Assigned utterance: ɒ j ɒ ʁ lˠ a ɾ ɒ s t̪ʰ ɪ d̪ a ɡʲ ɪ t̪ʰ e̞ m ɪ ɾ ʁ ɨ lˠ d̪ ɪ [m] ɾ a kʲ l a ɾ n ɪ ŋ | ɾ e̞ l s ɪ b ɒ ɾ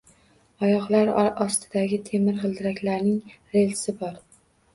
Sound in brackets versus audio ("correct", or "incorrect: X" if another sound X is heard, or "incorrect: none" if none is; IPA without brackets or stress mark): incorrect: none